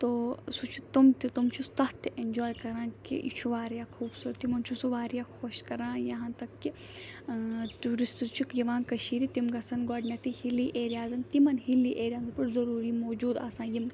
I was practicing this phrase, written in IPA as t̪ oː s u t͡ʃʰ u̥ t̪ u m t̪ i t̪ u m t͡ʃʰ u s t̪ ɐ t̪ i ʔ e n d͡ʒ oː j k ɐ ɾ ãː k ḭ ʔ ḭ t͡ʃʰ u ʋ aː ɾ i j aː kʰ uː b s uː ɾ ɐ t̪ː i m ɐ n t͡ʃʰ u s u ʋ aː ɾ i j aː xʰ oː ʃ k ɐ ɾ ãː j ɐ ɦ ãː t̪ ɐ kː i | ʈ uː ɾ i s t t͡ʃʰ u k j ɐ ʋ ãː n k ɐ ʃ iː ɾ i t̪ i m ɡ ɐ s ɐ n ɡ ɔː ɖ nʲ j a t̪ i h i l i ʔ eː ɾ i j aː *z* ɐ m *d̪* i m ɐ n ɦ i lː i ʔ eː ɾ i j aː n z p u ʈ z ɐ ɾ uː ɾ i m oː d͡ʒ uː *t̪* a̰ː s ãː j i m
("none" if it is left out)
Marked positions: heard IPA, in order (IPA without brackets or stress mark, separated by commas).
z, t̪, d̪